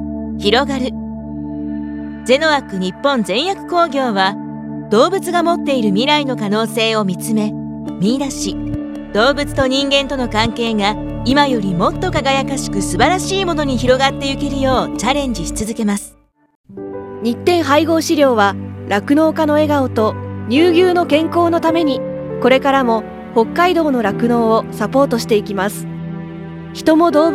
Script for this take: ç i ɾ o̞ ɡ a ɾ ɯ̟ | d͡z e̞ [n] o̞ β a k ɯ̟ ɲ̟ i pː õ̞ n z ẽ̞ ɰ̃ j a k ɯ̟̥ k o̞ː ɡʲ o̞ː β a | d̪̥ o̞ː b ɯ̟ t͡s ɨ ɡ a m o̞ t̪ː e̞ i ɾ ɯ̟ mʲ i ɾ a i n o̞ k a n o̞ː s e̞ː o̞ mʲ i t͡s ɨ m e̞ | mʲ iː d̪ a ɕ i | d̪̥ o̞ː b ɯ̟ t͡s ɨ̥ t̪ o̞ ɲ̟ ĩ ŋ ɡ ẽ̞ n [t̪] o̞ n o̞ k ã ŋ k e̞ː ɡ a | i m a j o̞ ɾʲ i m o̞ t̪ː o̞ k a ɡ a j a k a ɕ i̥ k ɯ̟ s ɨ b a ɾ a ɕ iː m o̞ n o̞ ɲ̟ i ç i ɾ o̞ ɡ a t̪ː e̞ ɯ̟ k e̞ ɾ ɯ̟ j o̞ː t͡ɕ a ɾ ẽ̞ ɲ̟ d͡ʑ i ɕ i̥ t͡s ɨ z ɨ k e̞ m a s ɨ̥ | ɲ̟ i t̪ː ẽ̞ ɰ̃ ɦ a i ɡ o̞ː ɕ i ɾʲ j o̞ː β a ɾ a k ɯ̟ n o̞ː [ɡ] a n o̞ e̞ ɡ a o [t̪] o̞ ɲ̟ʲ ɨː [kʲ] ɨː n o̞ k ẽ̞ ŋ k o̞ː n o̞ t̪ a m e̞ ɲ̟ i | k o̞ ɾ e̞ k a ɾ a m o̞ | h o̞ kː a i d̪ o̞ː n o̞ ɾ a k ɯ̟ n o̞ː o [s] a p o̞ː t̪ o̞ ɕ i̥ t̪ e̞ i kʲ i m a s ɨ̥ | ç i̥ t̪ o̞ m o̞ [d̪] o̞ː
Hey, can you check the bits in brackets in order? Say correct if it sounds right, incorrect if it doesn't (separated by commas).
correct, correct, incorrect, correct, incorrect, correct, correct